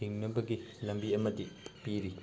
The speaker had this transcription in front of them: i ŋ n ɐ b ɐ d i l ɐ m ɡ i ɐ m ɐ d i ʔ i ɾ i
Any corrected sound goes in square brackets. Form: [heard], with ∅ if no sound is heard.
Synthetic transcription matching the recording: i ŋ n ɐ b ɐ [ɡ] i l ɐ m [b] i ɐ m ɐ d i [p] i ɾ i